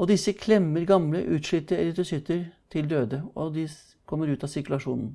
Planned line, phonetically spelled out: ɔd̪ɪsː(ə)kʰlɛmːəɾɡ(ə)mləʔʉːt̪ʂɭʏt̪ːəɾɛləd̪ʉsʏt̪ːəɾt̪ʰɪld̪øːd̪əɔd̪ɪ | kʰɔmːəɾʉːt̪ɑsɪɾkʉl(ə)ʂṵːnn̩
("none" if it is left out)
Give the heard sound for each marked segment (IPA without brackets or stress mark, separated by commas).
ə, ɑ, ɑ